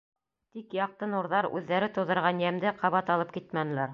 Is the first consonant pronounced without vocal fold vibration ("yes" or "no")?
yes